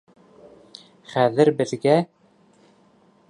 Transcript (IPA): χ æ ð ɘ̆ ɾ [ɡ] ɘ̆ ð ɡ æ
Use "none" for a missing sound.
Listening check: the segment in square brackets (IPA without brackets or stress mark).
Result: b